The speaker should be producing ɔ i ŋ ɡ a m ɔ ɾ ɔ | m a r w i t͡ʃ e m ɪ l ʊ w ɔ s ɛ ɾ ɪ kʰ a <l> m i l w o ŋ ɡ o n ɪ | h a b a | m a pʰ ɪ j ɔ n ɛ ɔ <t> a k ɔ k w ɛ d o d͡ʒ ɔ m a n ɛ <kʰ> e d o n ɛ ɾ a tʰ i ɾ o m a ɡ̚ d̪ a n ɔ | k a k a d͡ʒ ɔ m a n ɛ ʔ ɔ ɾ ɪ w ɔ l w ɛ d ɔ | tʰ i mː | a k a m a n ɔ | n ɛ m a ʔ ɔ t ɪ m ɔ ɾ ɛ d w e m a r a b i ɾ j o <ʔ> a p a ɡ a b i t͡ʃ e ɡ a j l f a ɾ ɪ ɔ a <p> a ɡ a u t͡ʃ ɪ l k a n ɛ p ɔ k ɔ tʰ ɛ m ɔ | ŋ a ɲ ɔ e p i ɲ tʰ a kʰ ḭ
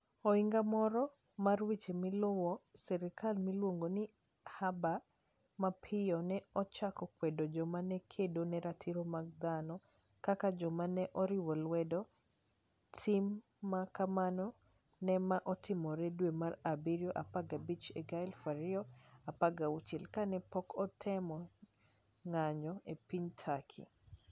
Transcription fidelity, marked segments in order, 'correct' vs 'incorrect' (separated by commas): correct, incorrect, correct, correct, correct